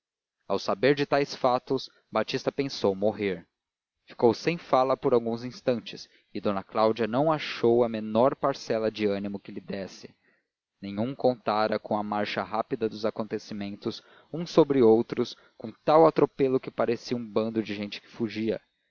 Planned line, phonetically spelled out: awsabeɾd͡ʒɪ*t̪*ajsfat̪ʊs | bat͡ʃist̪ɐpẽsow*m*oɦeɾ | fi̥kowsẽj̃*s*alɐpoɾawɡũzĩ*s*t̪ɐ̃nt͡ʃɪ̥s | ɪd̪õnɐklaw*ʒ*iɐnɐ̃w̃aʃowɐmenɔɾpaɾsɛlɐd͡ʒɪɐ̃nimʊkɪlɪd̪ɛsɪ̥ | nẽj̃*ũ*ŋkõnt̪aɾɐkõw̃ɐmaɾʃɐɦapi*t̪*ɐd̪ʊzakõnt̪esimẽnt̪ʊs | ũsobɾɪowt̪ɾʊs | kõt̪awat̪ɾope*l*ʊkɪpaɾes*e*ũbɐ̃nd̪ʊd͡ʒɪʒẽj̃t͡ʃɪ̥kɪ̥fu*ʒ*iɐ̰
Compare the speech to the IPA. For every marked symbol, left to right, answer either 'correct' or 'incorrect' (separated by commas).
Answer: correct, correct, incorrect, correct, incorrect, correct, incorrect, correct, incorrect, correct